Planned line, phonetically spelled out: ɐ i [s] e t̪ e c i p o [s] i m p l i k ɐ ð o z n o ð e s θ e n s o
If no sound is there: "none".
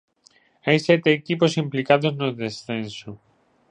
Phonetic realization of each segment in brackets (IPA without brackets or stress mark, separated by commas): s, s